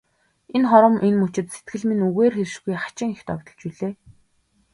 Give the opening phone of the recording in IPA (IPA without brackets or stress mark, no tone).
e